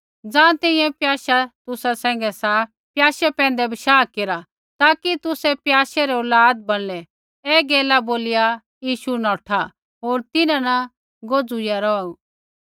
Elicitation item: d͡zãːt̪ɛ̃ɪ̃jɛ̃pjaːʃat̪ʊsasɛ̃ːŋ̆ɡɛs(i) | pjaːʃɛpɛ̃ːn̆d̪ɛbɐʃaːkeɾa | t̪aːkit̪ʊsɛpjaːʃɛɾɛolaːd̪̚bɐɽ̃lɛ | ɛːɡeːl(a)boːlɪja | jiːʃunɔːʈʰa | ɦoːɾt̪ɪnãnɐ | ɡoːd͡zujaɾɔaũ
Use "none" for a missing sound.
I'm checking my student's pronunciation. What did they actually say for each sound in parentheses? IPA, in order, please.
a, a

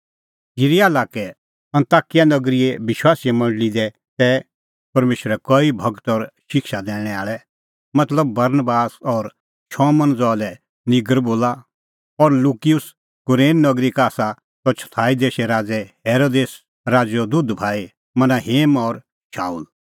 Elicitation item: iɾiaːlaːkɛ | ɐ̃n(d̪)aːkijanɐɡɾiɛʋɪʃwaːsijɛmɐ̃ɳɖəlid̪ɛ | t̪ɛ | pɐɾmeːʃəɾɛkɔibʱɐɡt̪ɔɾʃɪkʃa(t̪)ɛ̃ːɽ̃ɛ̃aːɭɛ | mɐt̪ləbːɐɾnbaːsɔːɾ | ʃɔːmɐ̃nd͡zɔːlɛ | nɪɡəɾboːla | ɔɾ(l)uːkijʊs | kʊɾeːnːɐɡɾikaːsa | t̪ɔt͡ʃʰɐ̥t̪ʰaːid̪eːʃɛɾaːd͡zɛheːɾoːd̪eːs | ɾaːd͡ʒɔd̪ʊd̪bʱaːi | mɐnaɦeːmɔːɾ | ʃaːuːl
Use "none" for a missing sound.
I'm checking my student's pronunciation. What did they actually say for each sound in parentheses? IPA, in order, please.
t̪, d̪, l

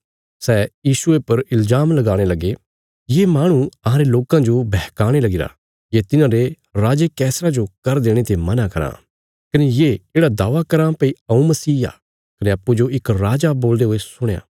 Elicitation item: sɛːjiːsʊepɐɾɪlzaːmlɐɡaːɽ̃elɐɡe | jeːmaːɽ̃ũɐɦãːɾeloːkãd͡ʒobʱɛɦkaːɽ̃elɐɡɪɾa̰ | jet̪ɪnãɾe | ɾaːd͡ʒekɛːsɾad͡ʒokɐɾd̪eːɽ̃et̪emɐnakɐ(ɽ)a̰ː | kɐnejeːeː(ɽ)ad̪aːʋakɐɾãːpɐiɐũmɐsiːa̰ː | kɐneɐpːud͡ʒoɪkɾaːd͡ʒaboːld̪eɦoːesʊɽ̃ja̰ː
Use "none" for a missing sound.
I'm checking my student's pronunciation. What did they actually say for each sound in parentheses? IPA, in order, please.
ɾ, ɽ

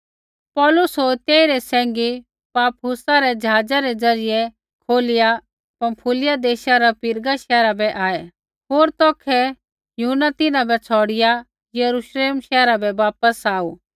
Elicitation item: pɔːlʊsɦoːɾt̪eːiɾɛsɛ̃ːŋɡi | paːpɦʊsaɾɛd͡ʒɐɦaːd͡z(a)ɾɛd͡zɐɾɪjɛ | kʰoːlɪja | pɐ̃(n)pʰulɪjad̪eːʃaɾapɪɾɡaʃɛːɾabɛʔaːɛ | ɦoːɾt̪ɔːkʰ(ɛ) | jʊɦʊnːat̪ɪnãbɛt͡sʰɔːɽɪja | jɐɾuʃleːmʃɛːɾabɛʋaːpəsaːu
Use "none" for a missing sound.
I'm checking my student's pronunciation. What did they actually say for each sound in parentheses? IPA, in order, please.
a, m, ɛ

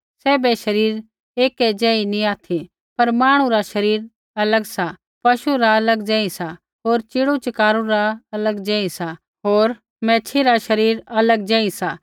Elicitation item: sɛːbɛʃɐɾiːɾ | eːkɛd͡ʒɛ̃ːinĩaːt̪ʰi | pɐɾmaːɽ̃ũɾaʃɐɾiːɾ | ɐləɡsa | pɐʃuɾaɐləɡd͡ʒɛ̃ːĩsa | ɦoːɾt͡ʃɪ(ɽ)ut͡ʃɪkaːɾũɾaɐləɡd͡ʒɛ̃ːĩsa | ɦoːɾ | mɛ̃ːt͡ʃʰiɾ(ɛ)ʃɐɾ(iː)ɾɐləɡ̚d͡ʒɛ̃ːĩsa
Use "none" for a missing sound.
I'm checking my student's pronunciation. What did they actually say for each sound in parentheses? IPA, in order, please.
ɽ, a, iː

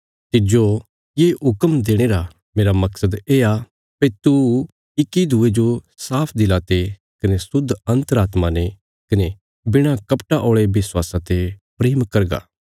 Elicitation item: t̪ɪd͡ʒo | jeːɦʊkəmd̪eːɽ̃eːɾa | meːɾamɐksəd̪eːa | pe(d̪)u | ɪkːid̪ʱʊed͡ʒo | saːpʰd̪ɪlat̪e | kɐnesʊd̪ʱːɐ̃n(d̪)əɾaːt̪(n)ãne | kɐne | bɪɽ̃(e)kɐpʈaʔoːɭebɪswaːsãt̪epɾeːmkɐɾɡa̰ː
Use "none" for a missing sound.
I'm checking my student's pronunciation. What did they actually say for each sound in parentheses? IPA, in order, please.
t̪, t̪, m, a

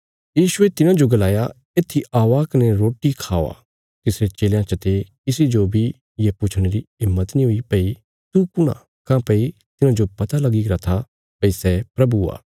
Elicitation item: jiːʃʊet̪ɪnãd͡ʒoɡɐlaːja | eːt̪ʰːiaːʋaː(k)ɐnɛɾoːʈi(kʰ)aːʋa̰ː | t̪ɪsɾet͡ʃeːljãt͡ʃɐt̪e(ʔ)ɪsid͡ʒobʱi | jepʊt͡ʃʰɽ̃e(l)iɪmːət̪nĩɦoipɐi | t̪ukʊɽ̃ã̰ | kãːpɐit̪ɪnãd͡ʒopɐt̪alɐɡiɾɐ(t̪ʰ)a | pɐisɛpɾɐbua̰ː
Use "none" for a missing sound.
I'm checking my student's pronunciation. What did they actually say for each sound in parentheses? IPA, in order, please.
k, kʰ, k, ɾ, t̪ʰ

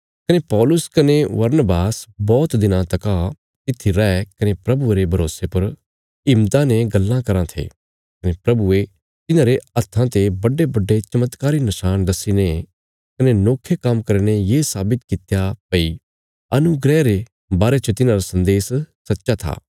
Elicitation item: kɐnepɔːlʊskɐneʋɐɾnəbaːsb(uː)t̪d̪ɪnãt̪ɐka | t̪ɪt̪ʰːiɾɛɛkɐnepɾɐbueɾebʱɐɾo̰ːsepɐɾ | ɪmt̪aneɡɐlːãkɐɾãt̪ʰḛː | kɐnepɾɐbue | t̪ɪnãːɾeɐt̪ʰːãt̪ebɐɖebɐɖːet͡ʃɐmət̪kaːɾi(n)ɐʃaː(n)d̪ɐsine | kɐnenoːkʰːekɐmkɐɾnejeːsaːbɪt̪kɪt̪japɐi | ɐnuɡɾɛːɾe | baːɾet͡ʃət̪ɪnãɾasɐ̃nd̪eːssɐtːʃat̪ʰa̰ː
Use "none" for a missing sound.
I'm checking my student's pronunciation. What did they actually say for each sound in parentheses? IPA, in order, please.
ɔː, n, n

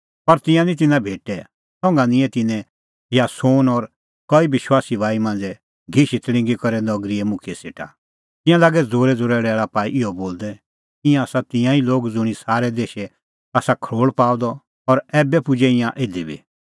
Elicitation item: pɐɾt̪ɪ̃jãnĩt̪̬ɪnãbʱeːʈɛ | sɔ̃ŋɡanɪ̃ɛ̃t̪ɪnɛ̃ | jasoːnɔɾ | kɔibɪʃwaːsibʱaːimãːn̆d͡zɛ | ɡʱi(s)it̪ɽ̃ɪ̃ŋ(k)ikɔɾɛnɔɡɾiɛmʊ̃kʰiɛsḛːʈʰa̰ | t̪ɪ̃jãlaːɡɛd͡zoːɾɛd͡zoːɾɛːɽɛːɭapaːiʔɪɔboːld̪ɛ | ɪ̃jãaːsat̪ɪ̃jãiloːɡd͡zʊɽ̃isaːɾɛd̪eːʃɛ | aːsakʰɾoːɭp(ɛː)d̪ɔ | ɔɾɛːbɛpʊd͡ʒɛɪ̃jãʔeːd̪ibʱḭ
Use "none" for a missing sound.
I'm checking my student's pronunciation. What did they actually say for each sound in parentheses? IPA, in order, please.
ʃ, ɡ, aː

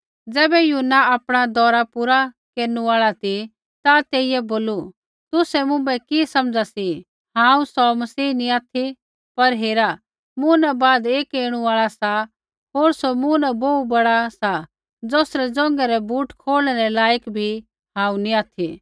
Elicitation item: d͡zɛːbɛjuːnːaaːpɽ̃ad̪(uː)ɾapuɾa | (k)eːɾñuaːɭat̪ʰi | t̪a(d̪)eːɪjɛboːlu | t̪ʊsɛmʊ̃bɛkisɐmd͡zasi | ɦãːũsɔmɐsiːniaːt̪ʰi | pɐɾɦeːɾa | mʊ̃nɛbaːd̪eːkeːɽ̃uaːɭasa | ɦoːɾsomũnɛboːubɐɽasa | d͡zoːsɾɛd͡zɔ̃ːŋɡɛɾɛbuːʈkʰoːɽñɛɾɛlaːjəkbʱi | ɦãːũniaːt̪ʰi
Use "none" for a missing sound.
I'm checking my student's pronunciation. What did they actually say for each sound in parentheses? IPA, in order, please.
ɔː, k, t̪

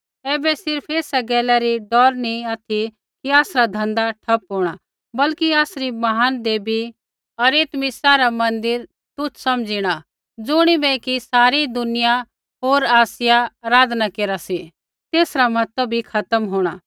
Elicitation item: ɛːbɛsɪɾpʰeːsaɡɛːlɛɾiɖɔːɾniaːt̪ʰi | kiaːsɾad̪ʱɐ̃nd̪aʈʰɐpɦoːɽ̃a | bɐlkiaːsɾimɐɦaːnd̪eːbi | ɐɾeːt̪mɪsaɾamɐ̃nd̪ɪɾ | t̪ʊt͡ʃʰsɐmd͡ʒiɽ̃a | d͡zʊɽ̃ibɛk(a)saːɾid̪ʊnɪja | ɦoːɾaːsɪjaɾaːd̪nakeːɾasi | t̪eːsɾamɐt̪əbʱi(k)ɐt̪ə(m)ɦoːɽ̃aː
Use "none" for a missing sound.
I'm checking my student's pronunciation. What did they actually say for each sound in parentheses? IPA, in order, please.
i, kʰ, m

